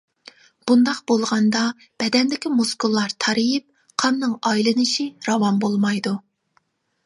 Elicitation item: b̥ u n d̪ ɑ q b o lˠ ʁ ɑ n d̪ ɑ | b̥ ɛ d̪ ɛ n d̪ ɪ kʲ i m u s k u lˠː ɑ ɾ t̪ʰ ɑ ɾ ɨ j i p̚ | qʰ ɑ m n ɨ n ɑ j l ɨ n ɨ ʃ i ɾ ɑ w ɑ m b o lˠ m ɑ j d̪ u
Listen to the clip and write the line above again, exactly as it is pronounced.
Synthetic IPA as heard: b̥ u n d̪ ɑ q b o lˠ ʁ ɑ n d̪ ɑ | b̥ ɛ d̪ ɛ n d̪ ɪ kʲ i m u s k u lˠː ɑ ɾ t̪ʰ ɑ ɾ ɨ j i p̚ | qʰ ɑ m n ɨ ŋ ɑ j l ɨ n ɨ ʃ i ɾ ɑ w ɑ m b o lˠ m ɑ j d̪ u